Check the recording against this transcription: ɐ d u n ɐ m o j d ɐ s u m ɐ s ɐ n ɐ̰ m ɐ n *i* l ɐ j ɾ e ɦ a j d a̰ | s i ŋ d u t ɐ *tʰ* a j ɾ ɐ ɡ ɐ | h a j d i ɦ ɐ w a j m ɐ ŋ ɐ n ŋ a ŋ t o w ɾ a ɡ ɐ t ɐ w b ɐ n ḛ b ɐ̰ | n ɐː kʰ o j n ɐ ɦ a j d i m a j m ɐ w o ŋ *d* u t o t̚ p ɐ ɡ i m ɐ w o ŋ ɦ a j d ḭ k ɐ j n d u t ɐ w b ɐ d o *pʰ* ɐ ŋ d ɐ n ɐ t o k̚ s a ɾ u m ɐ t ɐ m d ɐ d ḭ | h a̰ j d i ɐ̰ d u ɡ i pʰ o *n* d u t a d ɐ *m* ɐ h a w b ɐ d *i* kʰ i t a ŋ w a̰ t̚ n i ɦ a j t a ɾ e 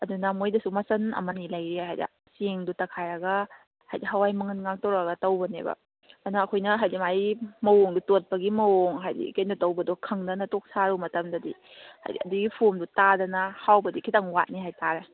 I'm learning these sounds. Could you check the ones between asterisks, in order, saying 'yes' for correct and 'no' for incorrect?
yes, no, yes, no, no, no, yes

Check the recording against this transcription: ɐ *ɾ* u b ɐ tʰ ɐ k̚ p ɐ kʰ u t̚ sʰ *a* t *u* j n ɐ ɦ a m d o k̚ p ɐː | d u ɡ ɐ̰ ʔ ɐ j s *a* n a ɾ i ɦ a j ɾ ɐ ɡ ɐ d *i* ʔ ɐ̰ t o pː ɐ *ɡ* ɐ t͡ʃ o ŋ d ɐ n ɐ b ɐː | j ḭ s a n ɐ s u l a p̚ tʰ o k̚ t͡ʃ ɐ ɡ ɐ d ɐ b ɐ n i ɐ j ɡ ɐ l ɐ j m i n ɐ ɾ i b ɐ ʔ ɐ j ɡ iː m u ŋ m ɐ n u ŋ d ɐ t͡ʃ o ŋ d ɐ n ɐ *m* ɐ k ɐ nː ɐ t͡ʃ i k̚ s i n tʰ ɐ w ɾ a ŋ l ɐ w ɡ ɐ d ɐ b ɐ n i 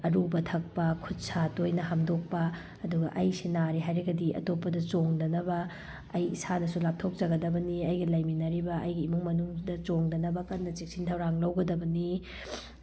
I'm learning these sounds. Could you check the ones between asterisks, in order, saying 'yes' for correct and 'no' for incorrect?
yes, yes, no, no, yes, no, no

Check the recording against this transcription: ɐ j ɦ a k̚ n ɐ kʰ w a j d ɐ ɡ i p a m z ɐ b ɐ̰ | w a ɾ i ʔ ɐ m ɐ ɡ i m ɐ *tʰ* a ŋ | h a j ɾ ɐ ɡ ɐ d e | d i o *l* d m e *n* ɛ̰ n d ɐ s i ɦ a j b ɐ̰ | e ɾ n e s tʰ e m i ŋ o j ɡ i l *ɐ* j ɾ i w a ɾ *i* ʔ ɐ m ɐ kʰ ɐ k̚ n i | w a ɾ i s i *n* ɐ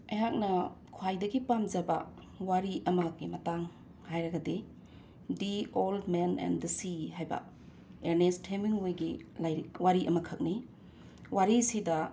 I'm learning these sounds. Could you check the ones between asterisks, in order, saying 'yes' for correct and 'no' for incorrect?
no, yes, yes, no, yes, no

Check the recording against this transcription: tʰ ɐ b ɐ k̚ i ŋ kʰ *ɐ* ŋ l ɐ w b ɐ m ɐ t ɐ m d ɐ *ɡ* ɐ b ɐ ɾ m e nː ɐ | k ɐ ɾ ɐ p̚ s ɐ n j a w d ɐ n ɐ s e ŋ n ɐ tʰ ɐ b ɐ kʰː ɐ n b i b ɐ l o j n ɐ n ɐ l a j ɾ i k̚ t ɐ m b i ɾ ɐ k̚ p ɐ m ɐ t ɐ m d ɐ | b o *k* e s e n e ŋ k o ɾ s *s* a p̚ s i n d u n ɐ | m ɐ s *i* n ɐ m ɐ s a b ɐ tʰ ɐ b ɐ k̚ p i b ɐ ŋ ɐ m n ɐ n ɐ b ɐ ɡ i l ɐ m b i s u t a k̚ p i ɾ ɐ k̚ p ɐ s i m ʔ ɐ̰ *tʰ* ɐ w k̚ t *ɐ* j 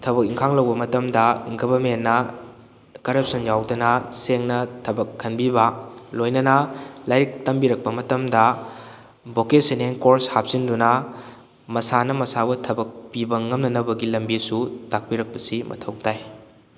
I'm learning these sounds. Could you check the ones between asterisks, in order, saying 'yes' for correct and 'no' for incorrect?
no, yes, yes, no, no, yes, no

